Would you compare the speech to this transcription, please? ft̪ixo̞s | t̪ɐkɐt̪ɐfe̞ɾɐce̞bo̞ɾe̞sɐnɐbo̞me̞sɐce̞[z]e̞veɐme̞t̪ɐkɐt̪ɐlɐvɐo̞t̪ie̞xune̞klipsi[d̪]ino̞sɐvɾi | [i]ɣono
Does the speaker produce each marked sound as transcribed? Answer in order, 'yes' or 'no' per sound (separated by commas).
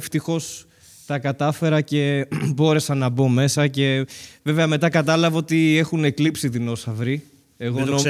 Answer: no, no, no